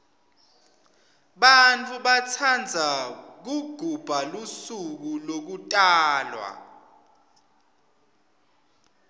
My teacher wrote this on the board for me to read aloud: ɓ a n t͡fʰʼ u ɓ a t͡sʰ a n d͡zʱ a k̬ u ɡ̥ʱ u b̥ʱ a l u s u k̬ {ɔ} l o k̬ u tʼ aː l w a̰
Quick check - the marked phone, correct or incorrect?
incorrect